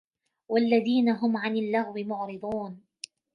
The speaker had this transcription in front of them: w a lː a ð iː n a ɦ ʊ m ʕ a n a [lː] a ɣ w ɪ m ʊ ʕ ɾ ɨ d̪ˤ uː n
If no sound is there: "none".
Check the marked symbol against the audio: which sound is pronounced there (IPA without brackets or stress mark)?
lː